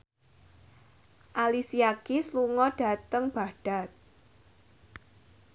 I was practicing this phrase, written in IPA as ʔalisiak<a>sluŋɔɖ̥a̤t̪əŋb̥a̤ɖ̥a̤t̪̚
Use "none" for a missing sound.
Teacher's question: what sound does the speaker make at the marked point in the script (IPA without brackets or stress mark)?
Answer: i